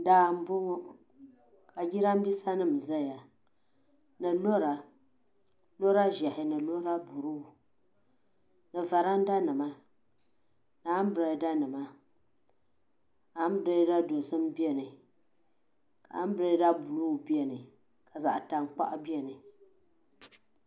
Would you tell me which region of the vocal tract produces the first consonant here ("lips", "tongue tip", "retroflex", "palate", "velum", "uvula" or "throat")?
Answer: tongue tip